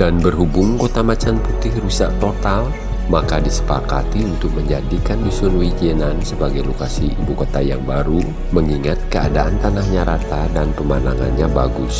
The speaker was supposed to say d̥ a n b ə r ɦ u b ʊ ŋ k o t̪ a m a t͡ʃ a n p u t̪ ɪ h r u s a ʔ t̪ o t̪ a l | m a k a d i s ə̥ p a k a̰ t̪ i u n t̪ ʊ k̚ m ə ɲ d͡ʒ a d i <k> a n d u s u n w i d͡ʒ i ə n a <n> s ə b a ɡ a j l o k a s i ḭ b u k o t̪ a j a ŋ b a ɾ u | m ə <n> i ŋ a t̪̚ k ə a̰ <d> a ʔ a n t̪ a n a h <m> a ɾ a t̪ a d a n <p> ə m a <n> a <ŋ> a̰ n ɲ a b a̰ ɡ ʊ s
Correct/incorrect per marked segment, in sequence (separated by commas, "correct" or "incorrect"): correct, correct, incorrect, correct, incorrect, correct, correct, correct